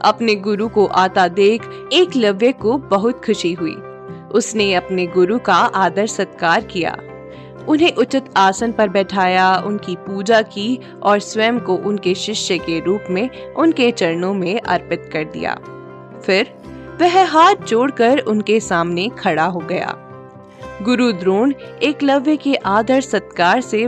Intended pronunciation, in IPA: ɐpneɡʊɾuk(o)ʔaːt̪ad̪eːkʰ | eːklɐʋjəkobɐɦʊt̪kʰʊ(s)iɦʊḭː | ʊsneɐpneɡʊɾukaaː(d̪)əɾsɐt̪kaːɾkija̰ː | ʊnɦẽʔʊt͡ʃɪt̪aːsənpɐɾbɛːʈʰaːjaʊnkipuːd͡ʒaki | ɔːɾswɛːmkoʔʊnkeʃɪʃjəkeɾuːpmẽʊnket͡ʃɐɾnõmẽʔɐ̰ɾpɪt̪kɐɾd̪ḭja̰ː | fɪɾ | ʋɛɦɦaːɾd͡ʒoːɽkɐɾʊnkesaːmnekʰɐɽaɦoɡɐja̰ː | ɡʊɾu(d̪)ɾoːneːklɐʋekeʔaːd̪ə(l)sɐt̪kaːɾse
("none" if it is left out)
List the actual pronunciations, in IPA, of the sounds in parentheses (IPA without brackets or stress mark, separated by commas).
o, ʃ, d̪, d̪, ɾ